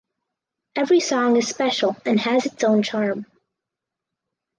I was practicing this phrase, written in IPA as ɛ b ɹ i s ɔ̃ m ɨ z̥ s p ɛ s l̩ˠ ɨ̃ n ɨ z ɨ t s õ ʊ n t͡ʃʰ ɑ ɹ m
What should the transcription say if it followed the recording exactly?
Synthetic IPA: ɛ v ɹ i s ɔ̃ ŋ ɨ z̥ s p ɛ ʃ l̩ˠ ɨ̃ n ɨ z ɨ t s õ ʊ̃ n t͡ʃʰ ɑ ɹ m